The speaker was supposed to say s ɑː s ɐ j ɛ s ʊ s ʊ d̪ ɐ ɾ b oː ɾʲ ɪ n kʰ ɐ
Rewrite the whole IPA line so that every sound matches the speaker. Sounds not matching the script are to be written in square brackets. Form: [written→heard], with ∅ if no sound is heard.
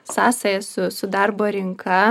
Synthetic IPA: s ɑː s ɐ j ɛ s ʊ s ʊ d̪ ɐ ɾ b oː ɾʲ ɪ [n→ŋ] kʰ ɐ